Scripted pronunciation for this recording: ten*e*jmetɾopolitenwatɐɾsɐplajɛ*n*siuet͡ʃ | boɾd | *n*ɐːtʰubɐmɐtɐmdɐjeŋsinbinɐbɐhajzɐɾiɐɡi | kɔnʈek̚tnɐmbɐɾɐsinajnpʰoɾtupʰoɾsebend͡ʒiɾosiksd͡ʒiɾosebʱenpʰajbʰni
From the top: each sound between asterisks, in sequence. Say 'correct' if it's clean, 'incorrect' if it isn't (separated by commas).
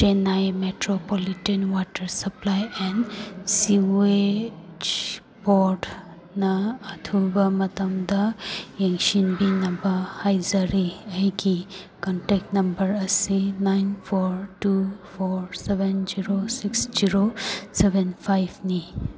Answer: incorrect, correct, correct